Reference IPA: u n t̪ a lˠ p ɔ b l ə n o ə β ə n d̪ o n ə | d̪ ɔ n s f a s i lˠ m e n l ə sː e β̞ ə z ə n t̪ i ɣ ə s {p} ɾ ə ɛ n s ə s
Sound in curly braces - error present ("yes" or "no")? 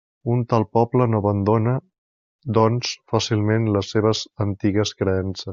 yes